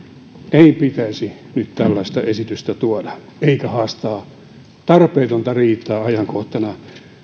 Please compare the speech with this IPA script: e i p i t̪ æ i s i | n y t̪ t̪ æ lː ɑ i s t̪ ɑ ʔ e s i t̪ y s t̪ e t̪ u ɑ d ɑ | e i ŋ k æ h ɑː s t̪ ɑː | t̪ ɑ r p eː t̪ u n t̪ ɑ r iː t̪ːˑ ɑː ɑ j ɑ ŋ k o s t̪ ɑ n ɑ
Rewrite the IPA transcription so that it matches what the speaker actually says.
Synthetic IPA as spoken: e i p i t̪ æ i s i | n y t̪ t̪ æ lː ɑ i s t̪ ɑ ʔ e s i t̪ y s t̪ æ t̪ u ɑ d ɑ | e i k æ h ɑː s t̪ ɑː | t̪ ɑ r p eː t̪ o n t̪ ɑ r iː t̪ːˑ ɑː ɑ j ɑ ŋ k o h t̪ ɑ n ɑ